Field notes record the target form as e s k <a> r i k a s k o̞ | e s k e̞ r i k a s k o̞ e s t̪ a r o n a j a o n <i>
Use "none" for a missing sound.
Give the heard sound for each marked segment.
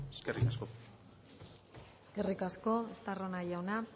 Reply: e, a

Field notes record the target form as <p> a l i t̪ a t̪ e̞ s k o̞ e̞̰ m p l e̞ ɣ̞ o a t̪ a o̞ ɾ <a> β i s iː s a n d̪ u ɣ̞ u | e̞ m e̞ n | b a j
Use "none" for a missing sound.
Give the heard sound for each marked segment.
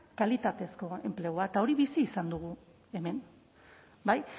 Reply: k, i

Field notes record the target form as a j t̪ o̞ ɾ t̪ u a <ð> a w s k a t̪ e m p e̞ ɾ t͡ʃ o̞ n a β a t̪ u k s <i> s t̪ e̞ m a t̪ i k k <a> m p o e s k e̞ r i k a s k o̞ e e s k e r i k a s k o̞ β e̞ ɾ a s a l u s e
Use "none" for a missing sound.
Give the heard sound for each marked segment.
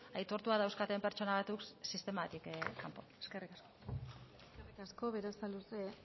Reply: ð, i, a

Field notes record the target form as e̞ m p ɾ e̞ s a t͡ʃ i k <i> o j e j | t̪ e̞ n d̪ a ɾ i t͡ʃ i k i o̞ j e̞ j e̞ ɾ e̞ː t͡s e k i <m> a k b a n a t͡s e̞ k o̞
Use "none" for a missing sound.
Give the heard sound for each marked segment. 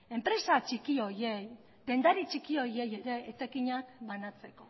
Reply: i, ɲ

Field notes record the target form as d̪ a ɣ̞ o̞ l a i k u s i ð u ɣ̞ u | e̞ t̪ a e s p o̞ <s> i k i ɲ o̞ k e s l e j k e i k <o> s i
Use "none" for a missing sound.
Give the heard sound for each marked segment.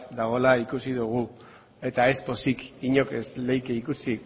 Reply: s, u

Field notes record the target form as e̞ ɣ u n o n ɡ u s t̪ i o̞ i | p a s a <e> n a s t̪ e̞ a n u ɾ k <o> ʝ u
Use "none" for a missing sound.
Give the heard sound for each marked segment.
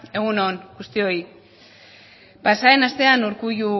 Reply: e, u

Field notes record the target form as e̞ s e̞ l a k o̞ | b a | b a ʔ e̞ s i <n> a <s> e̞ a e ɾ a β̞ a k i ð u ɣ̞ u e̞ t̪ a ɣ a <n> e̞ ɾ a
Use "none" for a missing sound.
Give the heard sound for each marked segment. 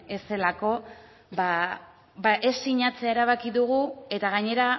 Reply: ɲ, t͡s, ɲ

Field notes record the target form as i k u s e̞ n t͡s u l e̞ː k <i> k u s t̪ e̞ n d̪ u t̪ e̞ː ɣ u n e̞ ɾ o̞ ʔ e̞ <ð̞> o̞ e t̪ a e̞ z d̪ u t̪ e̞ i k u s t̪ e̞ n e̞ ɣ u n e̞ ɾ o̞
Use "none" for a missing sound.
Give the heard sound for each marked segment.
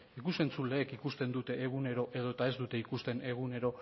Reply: i, ð̞

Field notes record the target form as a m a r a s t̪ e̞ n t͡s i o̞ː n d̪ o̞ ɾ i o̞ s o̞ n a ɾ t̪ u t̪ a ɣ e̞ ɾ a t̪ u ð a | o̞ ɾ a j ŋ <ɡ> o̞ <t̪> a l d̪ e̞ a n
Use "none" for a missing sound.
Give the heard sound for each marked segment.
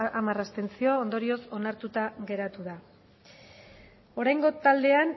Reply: ɡ, t̪

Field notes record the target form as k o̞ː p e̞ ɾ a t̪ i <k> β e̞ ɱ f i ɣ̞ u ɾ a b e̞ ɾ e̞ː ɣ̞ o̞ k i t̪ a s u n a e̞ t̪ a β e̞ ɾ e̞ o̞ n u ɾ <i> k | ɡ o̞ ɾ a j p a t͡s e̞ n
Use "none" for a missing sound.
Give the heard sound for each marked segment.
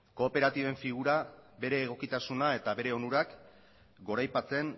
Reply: none, a

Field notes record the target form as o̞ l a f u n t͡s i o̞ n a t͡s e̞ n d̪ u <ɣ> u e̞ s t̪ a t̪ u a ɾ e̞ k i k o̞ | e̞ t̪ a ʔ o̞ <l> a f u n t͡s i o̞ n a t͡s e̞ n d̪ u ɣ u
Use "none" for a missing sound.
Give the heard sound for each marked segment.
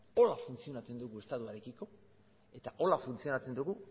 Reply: ɣ, l

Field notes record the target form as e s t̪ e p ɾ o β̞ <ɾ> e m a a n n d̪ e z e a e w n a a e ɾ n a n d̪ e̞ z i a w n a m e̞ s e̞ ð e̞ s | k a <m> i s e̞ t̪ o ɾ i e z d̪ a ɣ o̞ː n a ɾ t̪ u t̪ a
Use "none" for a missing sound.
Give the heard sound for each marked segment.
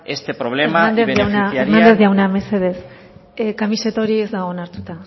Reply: l, m

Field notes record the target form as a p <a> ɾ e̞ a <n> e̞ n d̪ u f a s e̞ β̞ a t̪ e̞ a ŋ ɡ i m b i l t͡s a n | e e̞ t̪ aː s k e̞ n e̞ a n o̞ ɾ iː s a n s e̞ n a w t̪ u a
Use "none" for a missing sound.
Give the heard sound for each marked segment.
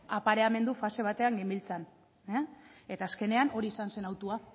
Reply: a, m

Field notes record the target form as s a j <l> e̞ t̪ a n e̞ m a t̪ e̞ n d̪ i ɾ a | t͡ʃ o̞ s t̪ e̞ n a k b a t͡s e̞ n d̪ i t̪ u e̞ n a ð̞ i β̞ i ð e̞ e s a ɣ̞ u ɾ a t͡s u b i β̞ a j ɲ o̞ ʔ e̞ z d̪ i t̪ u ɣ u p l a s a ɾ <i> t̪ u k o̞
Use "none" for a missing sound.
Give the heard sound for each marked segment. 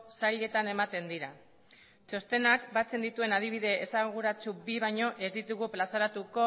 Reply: ʎ, a

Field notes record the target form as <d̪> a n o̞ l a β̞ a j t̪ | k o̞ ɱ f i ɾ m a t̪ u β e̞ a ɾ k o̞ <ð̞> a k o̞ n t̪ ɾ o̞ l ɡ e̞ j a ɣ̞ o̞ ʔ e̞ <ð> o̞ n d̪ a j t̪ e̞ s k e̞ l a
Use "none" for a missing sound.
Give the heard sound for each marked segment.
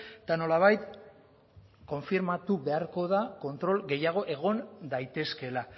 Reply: t̪, ð̞, ɣ

